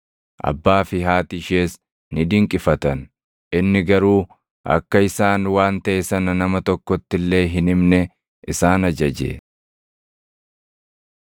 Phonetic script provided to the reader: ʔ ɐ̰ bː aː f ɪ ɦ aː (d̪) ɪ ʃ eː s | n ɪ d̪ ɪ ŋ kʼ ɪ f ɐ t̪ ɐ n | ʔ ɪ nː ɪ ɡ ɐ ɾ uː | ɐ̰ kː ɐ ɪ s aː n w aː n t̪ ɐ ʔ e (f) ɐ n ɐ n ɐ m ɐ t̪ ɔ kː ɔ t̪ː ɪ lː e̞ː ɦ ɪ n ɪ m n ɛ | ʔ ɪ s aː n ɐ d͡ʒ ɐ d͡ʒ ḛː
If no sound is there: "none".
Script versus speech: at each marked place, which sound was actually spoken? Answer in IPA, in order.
t̪, s

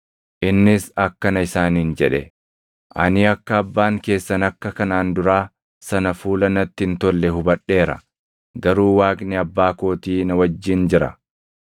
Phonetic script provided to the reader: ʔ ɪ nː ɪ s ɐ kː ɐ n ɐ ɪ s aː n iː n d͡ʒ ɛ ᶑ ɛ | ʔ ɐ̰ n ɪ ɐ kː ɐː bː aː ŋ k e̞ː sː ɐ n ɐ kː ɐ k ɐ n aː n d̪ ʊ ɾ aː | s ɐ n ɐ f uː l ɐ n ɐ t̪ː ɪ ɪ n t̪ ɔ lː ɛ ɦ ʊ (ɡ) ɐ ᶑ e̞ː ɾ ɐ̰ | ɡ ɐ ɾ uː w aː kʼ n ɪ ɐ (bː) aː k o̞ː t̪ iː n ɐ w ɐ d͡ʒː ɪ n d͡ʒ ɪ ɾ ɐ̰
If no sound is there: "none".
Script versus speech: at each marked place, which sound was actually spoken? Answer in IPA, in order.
b, bː

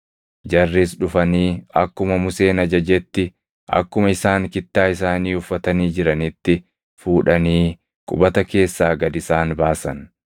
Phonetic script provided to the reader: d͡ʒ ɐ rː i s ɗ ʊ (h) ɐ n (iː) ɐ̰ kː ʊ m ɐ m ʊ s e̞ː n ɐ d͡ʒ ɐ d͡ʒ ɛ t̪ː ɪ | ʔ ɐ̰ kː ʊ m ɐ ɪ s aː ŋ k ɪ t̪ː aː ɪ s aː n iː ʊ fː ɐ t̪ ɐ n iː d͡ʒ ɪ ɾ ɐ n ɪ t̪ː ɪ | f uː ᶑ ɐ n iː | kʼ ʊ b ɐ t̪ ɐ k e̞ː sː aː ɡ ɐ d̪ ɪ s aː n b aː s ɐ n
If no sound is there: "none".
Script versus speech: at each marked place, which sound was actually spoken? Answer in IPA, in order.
f, iː

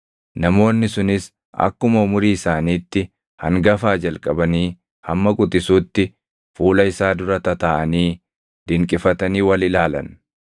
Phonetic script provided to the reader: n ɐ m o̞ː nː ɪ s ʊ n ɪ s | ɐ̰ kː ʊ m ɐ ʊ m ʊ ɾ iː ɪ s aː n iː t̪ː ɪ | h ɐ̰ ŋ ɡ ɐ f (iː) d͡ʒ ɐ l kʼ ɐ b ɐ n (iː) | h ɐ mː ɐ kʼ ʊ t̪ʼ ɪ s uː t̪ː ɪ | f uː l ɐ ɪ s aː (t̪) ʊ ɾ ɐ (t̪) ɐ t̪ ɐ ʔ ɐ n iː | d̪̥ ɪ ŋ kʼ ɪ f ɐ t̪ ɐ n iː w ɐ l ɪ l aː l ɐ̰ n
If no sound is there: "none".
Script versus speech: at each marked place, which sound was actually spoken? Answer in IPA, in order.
aː, iː, d̪, t̪

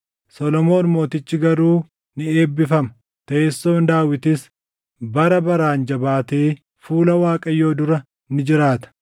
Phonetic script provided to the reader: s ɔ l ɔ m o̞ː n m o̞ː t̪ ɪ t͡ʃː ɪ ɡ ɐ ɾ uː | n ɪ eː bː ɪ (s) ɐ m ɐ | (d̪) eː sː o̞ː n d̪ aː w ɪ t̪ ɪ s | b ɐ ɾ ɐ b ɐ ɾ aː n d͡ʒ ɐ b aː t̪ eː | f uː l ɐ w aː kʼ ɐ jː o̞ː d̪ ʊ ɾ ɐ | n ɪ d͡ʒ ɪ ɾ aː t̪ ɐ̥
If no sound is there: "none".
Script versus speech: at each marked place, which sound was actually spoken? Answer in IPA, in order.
f, t̪

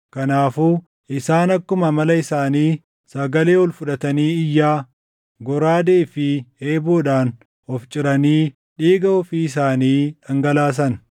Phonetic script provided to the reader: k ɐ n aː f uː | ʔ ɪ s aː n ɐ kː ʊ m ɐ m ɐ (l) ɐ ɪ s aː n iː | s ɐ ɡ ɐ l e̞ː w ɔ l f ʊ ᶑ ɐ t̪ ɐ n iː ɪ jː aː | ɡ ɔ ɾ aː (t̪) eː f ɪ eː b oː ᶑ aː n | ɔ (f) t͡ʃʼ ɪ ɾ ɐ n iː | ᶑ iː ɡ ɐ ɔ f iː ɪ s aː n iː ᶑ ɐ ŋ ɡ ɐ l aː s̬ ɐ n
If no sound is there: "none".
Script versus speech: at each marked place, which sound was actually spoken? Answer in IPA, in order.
l, d̪, f

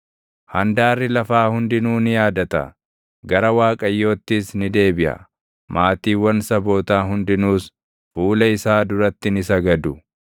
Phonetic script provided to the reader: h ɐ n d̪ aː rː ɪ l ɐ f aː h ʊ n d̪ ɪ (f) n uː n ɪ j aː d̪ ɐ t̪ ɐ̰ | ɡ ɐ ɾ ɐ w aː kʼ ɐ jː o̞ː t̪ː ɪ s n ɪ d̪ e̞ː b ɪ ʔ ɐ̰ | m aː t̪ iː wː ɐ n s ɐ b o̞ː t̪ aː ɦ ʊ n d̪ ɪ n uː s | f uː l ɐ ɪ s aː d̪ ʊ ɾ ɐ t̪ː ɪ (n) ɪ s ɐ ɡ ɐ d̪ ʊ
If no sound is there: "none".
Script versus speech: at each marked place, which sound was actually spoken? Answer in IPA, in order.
none, n

